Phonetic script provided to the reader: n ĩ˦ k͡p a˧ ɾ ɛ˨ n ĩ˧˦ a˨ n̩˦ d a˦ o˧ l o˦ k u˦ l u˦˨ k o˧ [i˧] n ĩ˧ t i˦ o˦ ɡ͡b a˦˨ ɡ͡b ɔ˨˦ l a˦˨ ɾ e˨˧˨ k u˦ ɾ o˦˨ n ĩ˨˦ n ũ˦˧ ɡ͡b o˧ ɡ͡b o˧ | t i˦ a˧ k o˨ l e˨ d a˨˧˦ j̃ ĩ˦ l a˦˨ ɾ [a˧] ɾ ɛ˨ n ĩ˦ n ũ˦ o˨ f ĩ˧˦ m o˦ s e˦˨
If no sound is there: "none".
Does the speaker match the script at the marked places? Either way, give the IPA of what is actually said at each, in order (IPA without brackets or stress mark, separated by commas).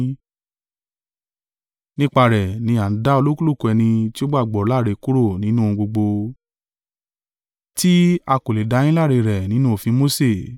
ɛ˧, e˧